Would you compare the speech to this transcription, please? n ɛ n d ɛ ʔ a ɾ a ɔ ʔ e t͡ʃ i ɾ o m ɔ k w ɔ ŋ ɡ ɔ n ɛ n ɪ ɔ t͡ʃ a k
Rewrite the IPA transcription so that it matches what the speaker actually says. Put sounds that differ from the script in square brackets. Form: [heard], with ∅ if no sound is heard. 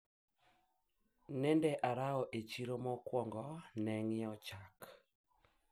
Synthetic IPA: n ɛ n d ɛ ʔ a ɾ a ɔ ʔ e t͡ʃ i ɾ o m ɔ k w ɔ ŋ ɡ ɔ n ɛ [ŋ] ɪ ɔ t͡ʃ a k